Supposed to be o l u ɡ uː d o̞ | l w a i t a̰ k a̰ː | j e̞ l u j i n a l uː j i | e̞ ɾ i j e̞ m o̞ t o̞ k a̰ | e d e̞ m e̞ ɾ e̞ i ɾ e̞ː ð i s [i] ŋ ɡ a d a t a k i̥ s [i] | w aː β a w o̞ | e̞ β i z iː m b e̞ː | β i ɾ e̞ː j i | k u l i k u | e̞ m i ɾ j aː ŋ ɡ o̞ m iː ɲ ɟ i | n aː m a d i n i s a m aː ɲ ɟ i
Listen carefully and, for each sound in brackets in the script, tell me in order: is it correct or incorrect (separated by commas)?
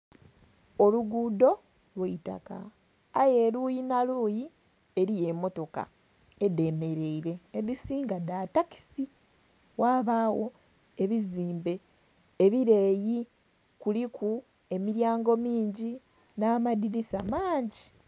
incorrect, correct